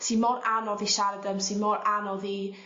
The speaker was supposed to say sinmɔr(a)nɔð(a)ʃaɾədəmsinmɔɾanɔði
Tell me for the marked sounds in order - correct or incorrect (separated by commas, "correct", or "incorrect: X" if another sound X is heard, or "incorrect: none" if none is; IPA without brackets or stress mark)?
correct, incorrect: i